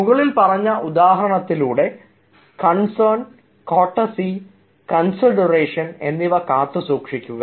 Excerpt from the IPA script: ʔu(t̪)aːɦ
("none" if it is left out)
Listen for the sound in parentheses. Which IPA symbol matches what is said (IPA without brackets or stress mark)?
d̪